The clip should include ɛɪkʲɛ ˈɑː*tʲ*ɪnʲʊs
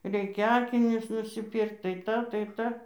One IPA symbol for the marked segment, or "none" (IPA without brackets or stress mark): kʲ